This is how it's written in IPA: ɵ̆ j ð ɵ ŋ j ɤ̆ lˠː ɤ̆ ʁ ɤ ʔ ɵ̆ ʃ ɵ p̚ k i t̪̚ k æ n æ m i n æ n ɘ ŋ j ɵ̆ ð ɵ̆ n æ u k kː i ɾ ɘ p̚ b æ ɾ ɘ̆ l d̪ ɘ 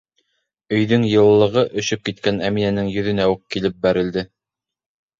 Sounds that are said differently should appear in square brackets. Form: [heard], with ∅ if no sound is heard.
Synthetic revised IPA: ɵ̆ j ð ɵ ŋ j ɤ̆ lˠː ɤ̆ ʁ ɤ ʔ ɵ̆ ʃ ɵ p̚ k i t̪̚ k æ n æ m i n æ n ɘ ŋ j ɵ̆ ð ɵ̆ n æ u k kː i [l] ɘ p̚ b æ ɾ ɘ̆ l d̪ ɘ